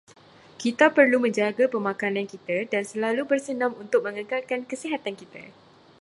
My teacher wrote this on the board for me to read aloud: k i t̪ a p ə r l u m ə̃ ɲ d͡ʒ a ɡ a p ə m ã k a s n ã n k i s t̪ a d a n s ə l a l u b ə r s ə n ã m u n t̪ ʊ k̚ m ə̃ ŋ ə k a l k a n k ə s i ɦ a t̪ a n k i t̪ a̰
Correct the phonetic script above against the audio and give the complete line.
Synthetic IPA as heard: k i t̪ a p ə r l u m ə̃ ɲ d͡ʒ a ɡ a p ə m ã k a n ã n k i t̪ a d a n s ə l a l u b ə r s ə n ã m u n t̪ ʊ k̚ m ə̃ ŋ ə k a l k a n k ə s i ɦ a t̪ a n k i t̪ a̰